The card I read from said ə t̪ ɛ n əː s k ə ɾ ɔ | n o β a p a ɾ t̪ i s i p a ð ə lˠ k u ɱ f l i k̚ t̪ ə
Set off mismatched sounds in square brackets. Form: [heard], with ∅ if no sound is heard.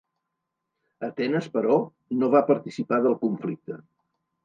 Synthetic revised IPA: ə t̪ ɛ n [ə] s [p] ə ɾ ɔ | n o β a p [ə] ɾ t̪ i s i p a ð ə lˠ k u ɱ f l i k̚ t̪ ə